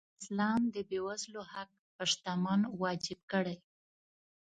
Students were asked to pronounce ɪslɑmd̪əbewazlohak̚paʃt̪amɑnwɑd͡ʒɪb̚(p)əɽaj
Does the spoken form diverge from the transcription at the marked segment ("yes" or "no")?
yes